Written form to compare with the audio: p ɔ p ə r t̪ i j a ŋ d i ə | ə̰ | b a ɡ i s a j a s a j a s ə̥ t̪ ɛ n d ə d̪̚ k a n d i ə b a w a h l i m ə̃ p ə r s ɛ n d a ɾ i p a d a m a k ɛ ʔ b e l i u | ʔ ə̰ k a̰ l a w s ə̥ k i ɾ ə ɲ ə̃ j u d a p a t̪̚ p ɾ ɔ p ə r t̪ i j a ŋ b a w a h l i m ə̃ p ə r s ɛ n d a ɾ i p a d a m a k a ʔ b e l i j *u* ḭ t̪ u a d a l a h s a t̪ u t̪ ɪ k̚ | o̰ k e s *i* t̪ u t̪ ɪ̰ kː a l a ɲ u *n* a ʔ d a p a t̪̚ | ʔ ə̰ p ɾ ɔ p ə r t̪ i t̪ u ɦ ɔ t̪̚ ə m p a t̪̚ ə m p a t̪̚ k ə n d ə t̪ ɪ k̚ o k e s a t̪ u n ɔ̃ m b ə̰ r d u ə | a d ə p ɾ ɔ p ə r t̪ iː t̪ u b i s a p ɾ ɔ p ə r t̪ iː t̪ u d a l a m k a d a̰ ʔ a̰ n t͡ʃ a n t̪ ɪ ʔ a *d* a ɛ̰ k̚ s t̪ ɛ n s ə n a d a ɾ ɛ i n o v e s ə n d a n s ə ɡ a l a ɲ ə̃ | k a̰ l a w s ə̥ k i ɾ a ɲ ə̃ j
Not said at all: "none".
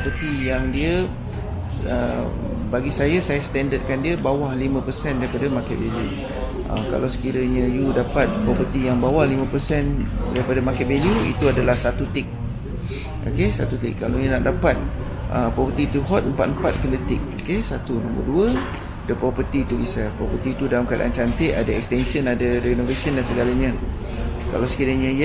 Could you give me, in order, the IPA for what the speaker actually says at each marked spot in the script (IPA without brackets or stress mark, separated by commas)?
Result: u, a, n, d